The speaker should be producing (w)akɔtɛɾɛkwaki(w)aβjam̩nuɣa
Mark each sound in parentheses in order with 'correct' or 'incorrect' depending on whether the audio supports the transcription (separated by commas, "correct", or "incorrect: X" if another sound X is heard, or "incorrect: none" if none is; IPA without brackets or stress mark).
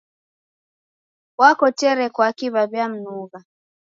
correct, incorrect: β